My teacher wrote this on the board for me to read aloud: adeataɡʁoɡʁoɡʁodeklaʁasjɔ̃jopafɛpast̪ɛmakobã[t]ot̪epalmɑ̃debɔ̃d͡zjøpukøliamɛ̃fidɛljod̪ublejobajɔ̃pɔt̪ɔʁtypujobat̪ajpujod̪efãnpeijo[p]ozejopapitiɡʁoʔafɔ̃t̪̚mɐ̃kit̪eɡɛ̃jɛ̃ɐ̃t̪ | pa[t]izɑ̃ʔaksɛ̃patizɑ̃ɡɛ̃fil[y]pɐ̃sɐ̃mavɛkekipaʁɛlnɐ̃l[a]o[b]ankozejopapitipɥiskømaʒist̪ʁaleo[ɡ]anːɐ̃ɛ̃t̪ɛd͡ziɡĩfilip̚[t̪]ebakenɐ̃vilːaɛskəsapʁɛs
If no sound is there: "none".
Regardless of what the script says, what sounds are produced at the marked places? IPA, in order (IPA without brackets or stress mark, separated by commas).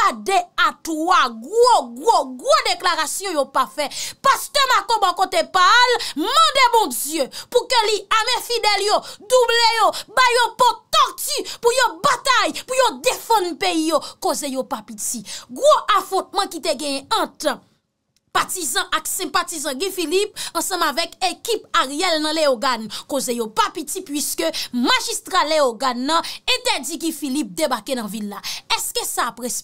k, k, t, i, e, ɡ, ɡ, d̪